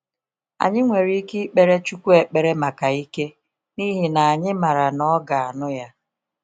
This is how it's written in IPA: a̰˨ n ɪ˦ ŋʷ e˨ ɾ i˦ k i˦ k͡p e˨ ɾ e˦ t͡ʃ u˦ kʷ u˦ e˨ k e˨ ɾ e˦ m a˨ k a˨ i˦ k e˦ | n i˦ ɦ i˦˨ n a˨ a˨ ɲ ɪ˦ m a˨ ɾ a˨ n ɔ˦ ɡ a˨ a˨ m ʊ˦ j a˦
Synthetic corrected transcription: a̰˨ ɲ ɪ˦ ŋʷ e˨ ɾ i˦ k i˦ k͡p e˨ ɾ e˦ t͡ʃ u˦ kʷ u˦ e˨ k͡p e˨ ɾ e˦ m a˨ k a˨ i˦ k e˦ | n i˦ ɦ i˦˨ n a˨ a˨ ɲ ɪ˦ m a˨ ɾ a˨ n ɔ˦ ɡ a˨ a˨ n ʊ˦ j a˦